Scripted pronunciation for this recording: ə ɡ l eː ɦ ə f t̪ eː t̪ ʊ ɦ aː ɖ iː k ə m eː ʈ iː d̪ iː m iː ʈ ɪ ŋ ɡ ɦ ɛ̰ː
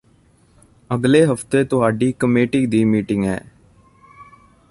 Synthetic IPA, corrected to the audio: ə ɡ l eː ɦ ə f t̪ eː t̪ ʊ ɦ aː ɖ iː k ə m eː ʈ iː d̪ iː m iː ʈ ɪ ŋ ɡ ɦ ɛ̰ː